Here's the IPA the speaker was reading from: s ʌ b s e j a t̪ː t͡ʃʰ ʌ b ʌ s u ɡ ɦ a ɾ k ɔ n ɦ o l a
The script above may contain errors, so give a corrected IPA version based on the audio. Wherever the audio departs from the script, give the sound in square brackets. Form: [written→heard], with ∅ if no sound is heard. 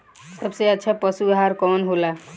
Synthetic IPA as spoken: s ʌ b s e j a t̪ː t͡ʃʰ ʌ [b→p] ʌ s u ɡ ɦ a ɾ k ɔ n ɦ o l a